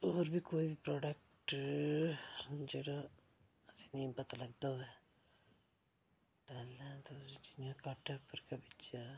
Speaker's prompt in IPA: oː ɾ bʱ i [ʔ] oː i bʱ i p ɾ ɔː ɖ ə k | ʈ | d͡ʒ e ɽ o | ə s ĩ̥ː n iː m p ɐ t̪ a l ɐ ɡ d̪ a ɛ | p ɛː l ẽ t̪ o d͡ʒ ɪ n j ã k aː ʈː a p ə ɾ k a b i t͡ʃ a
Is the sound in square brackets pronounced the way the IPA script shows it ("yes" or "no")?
no